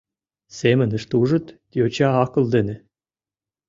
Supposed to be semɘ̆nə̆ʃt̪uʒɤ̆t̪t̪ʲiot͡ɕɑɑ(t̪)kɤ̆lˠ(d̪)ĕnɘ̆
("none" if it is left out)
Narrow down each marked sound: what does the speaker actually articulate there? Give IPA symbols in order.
none, d̪

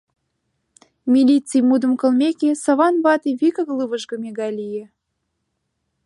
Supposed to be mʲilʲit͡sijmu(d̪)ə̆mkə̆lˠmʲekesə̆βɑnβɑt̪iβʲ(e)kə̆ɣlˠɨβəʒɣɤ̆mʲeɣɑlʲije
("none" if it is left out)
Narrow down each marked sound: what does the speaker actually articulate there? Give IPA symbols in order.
d̪, i

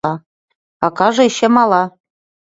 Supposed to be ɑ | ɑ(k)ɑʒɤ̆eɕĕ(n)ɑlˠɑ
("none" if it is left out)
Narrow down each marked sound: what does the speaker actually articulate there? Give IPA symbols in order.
k, m

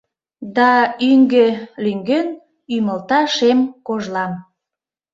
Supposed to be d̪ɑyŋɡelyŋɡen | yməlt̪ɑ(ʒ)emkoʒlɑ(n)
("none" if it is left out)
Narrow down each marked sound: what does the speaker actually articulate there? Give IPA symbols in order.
ʃ, m

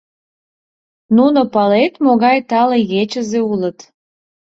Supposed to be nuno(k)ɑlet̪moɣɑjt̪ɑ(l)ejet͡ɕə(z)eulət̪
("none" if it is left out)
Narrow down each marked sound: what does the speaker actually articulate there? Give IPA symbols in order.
p, l, z

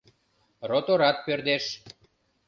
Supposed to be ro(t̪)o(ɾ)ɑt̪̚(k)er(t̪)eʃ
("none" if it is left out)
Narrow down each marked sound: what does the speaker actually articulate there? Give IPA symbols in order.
t̪, ɾ, p, d̪

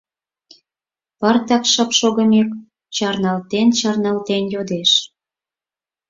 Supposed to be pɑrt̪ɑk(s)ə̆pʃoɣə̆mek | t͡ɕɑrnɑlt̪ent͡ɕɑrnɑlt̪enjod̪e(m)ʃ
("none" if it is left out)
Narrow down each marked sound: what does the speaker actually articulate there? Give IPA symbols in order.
ʃ, none

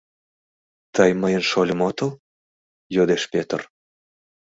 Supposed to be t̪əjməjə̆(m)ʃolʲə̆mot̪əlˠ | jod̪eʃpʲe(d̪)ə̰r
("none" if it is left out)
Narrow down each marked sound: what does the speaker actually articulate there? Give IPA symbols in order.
n, t̪

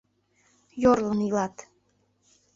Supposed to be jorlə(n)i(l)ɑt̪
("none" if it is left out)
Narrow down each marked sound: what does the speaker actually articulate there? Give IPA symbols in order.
n, l

